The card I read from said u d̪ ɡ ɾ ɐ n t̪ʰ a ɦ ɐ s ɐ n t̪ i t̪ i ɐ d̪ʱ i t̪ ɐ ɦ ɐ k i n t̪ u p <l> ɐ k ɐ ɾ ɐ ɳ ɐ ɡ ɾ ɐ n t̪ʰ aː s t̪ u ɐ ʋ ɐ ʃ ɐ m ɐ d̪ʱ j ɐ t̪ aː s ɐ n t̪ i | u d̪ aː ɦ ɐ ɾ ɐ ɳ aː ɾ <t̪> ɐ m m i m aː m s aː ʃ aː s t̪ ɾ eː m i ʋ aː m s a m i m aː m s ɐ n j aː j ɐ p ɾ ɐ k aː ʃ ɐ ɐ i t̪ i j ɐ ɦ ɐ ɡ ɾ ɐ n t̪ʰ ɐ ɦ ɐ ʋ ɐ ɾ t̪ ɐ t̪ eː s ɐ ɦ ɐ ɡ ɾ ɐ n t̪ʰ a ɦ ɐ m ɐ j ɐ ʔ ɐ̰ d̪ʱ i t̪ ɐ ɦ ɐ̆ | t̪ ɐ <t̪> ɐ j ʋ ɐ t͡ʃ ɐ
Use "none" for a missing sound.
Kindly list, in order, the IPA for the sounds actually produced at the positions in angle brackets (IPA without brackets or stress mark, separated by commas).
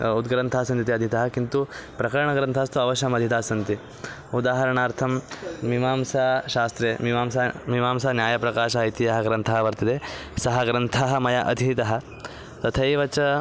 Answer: ɾ, t̪ʰ, t̪ʰ